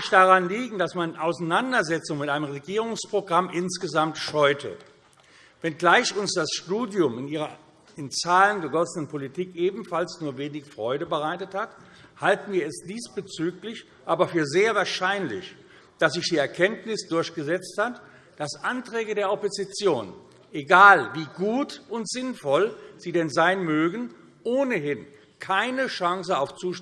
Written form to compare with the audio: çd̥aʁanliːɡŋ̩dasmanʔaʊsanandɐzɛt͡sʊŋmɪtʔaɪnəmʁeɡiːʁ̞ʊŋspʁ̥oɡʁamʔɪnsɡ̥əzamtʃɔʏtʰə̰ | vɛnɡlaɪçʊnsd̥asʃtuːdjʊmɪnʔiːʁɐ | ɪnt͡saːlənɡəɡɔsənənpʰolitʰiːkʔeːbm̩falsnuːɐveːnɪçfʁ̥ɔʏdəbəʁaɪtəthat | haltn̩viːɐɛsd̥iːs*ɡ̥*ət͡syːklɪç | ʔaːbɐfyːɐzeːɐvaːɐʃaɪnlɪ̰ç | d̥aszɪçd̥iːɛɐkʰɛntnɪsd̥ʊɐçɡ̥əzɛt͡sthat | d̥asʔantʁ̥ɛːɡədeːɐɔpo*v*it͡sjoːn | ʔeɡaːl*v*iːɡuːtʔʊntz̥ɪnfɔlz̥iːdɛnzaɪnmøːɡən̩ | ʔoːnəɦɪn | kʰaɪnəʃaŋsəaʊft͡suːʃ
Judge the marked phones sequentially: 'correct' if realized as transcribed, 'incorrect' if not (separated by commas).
incorrect, incorrect, correct